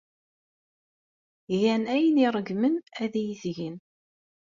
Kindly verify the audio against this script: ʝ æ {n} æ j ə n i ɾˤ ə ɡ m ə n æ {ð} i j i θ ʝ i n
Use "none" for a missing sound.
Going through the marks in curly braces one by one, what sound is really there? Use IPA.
n, ð

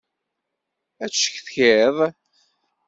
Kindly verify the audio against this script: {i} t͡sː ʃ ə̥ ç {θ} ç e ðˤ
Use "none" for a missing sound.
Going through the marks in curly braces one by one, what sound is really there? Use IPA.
æ, θ

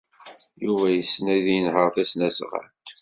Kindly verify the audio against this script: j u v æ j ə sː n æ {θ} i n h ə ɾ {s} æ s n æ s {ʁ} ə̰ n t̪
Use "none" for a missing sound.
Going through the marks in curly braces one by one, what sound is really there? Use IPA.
ð, θ, ʁ

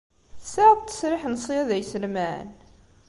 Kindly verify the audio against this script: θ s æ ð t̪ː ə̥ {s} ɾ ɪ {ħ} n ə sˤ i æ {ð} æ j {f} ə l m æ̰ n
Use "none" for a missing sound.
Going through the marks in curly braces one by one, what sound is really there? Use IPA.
s, ħ, ð, s

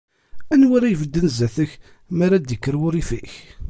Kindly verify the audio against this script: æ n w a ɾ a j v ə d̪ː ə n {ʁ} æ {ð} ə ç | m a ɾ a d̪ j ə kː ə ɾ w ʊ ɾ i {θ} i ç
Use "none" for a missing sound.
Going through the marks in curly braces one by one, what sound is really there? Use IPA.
z, θ, f

